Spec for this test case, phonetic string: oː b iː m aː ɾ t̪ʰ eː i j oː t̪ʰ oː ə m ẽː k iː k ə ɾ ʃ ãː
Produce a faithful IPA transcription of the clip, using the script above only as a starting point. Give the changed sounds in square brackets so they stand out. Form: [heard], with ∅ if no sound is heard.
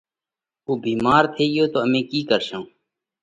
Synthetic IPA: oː b iː m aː ɾ t̪ʰ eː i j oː [t̪] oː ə m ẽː k iː k ə ɾ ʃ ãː